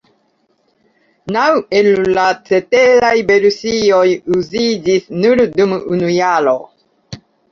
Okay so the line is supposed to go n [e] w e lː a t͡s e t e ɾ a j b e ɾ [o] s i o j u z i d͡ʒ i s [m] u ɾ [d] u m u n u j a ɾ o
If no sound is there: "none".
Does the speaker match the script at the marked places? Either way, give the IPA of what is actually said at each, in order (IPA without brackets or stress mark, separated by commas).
a, u, n, d